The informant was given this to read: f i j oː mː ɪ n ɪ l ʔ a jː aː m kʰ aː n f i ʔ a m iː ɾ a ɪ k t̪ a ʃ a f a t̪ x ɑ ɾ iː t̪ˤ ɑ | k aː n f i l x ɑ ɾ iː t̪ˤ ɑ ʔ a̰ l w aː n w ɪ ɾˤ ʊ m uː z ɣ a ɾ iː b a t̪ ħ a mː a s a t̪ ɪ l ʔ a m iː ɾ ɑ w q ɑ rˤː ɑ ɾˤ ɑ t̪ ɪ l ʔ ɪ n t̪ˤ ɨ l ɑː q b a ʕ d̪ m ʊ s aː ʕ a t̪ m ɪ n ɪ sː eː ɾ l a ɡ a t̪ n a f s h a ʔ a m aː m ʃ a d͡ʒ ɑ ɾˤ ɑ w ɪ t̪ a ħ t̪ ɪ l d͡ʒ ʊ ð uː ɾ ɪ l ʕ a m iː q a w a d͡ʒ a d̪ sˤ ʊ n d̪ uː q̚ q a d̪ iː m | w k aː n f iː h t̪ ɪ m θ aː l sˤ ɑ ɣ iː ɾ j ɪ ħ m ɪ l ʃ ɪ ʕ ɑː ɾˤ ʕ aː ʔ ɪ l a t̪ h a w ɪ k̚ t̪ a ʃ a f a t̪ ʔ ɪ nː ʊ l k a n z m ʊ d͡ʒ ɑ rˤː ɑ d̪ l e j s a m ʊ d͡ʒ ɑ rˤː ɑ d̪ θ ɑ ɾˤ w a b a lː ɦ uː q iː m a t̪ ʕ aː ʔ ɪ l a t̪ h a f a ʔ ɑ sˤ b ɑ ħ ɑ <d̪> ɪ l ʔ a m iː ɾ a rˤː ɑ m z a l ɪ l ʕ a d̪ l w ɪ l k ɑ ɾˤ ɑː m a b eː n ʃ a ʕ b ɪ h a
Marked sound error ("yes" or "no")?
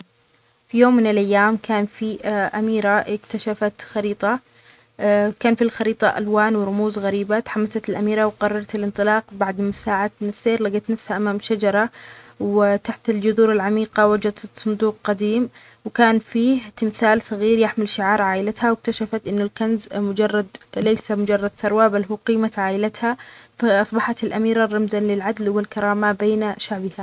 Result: yes